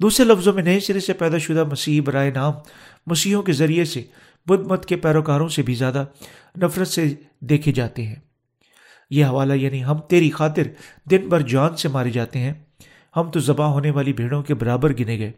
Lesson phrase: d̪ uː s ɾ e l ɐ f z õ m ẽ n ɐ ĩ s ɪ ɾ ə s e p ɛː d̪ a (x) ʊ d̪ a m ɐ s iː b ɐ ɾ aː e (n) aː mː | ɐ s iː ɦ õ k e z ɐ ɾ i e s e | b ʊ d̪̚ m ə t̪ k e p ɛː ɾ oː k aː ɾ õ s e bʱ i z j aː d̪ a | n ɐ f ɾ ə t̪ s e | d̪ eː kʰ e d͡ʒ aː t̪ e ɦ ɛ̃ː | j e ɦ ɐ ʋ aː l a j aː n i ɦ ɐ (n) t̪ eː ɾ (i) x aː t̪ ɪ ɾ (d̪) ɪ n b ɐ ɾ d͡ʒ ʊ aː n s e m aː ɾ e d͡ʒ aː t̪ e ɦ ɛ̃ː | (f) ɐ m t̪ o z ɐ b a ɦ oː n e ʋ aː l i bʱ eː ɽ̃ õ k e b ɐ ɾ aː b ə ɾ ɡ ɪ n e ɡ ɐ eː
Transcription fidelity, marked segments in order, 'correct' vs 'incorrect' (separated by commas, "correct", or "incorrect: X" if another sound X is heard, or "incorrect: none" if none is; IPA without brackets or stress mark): incorrect: ʃ, correct, incorrect: m, correct, correct, incorrect: h